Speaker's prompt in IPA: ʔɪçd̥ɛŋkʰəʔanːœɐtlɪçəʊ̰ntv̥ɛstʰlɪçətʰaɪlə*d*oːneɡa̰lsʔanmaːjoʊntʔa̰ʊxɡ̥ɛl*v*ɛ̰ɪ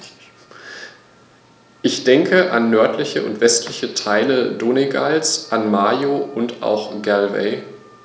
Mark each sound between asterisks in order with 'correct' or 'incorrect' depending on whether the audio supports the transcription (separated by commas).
correct, correct